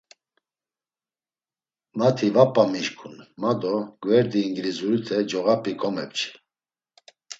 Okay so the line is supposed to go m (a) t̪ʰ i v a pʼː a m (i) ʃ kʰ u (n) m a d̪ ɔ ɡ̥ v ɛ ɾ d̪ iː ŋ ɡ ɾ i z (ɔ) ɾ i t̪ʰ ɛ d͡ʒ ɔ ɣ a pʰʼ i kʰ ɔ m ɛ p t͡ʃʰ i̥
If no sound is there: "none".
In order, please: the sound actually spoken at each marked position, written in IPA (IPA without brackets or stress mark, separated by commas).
a, i, n, u